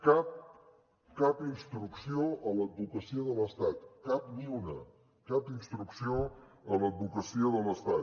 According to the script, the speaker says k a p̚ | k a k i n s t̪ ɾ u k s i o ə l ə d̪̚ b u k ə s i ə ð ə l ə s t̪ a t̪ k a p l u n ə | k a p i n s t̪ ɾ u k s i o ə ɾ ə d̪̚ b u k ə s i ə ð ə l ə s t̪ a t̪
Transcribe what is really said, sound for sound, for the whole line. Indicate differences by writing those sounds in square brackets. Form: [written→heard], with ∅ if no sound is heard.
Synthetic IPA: k a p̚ | k a [k→p] i n s t̪ ɾ u k s i o ə l ə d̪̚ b u k ə s i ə ð ə l ə s t̪ a t̪ k a p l u n ə | k a p i n s t̪ ɾ u k s i o ə [ɾ→l] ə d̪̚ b u k ə s i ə ð ə l ə s t̪ a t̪